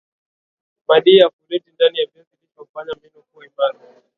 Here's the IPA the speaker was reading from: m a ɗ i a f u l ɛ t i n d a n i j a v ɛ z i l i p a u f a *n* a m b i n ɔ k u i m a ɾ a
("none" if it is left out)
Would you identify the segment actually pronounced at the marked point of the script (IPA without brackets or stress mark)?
ɲ